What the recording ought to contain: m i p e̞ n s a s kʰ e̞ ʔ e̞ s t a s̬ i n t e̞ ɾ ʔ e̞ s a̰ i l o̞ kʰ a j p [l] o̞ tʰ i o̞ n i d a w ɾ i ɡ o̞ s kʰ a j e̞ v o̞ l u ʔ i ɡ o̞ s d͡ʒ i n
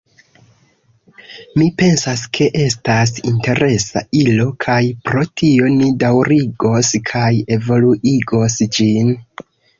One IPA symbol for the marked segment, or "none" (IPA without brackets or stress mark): ɾ